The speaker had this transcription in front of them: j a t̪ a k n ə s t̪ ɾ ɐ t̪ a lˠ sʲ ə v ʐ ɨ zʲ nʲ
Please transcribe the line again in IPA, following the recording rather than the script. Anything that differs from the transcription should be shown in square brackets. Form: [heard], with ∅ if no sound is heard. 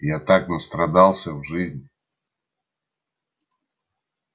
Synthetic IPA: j a t̪ a k n ə s t̪ ɾ ɐ [d̪] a lˠ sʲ ə v ʐ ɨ zʲ nʲ